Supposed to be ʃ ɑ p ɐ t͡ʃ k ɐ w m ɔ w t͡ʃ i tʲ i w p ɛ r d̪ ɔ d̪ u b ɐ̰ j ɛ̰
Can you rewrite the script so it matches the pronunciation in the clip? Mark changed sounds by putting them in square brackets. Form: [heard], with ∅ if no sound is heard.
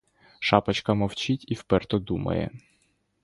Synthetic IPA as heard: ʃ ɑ p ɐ t͡ʃ k ɐ [∅] m ɔ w t͡ʃ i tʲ i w p ɛ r [t̪] ɔ d̪ u [m] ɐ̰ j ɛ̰